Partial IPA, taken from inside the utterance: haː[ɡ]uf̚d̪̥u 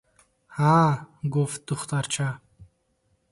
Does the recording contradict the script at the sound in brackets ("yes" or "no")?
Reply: no